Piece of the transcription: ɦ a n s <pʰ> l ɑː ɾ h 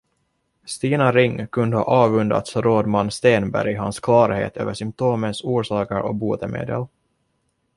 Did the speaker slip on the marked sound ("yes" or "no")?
yes